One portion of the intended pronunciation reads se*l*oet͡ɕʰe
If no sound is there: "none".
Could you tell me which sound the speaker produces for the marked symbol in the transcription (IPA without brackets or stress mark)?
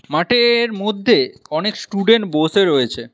ɾ